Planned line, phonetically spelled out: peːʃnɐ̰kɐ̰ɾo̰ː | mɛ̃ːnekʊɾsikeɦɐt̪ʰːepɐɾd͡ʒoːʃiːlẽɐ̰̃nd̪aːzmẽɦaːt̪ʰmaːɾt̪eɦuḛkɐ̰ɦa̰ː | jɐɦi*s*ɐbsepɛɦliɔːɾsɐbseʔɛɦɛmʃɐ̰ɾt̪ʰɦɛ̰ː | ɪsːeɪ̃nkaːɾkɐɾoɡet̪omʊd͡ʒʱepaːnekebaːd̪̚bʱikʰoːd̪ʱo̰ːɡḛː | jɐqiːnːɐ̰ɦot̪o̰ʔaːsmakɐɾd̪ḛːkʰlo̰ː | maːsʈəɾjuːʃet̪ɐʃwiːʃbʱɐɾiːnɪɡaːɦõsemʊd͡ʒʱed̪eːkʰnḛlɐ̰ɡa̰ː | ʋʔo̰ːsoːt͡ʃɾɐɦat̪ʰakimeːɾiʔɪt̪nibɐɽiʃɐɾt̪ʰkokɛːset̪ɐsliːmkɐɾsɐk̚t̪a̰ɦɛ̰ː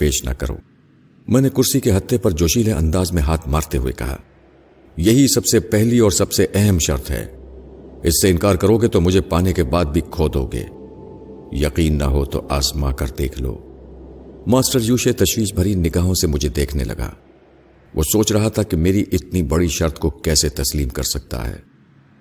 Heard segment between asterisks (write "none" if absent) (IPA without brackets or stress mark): s